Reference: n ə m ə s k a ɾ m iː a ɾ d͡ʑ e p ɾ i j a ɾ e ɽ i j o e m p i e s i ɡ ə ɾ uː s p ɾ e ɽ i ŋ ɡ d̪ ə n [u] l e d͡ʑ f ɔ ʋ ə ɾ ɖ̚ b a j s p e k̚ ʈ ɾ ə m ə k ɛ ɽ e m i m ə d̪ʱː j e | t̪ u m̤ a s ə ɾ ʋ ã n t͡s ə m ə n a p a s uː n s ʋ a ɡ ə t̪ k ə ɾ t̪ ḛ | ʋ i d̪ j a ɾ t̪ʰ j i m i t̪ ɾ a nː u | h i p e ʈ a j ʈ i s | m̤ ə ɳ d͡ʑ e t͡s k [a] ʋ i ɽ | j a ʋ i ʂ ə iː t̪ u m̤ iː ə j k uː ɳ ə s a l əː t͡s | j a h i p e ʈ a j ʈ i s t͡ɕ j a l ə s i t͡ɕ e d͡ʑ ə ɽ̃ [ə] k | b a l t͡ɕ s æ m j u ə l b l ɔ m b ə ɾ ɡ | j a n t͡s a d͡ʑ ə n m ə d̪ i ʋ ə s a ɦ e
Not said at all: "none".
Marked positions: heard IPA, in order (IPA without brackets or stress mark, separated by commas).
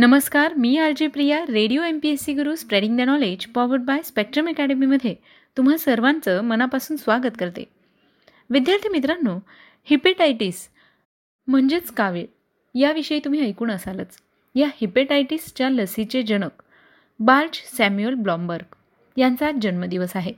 ɔ, a, ə